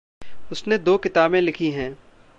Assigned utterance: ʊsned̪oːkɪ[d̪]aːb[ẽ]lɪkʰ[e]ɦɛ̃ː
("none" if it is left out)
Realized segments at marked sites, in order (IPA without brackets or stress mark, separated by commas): t̪, ẽ, i